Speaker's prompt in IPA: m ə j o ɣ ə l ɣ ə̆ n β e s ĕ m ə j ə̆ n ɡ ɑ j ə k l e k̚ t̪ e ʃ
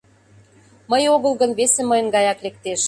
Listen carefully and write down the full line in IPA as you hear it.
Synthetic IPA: m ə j o ɣ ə l ɣ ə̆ n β e s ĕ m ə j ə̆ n ɡ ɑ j ɑ k l e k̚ t̪ e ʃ

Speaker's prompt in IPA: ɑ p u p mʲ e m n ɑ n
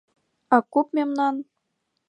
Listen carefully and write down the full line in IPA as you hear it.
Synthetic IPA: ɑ k u p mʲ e m n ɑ n

